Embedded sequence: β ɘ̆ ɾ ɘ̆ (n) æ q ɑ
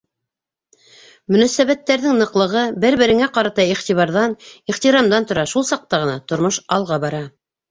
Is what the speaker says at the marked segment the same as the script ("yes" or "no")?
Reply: no